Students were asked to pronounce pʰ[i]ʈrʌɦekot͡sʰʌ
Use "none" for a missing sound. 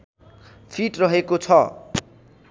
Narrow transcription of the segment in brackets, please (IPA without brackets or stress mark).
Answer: i